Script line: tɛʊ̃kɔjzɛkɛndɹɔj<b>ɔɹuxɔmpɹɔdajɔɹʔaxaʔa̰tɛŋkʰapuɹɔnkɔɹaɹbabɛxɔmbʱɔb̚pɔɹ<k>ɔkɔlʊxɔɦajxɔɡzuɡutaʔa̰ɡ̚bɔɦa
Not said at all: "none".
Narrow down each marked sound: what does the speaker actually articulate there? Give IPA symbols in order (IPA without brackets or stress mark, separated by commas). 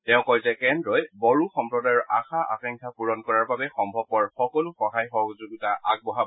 b, x